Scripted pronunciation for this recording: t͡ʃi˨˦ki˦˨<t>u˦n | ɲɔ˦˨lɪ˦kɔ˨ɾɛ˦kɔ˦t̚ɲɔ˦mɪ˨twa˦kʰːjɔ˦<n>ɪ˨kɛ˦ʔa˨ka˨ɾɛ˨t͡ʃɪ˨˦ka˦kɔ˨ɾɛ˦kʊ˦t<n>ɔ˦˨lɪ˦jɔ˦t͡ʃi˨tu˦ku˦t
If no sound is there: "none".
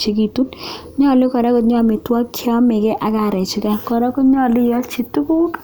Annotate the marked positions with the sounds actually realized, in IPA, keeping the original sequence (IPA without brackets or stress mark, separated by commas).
t, m, ɲ